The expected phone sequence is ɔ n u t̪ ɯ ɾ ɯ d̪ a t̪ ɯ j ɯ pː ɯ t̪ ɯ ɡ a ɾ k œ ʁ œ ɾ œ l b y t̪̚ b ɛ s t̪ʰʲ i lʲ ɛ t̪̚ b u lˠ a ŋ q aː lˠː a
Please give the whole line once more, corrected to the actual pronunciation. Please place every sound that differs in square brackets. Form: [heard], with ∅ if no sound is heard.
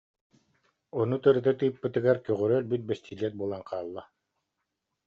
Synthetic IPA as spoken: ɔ n u t̪ ɯ ɾ ɯ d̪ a t̪ ɯ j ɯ pː ɯ t̪ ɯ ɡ a ɾ k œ ʁ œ ɾ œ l b y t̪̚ b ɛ s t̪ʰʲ i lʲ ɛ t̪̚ b u lˠ a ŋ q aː lˠː a